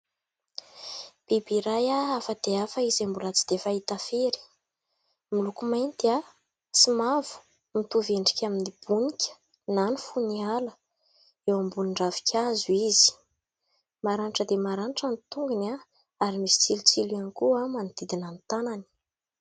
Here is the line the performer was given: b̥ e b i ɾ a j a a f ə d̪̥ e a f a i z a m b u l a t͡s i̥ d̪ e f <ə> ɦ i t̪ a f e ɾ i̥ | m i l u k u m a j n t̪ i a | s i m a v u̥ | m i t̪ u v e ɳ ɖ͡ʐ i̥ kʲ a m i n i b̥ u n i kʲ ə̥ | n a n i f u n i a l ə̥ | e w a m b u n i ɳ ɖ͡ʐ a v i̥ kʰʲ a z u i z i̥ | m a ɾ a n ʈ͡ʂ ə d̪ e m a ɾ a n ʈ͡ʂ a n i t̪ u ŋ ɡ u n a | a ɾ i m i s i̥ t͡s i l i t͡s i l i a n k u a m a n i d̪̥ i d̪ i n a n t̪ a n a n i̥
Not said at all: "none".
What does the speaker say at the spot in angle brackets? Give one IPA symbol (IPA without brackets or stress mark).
a